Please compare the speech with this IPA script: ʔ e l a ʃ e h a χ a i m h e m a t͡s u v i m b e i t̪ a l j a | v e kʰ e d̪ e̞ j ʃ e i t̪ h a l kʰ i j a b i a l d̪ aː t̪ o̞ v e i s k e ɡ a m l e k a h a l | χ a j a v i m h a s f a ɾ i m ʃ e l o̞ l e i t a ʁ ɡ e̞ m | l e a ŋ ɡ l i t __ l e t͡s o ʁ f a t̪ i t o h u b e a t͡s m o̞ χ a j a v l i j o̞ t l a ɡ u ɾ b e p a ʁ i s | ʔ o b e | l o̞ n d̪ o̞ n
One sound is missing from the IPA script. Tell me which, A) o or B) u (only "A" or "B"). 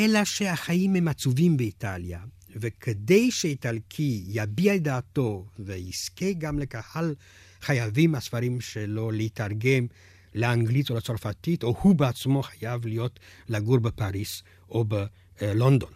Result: A